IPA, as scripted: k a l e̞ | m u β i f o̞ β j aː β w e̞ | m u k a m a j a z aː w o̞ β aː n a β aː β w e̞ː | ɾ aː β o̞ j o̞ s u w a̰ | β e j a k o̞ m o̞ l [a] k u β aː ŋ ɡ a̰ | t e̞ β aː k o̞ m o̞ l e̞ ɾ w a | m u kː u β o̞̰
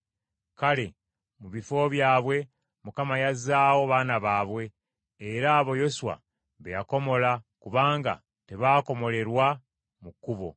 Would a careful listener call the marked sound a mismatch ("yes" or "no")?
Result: no